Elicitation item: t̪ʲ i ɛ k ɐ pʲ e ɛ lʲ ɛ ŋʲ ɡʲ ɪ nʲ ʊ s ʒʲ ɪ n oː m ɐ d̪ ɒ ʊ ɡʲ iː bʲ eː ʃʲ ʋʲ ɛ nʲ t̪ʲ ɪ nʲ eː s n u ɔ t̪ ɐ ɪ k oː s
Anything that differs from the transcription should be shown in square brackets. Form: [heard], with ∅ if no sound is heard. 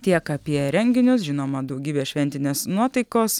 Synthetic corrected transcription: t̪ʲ i ɛ k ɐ pʲ [i] ɛ [ɾʲ] ɛ ŋʲ ɡʲ ɪ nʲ ʊ s ʒʲ ɪ n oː m ɐ d̪ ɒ ʊ ɡʲ iː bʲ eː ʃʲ ʋʲ ɛ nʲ t̪ʲ ɪ nʲ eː s n u ɔ t̪ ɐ ɪ k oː s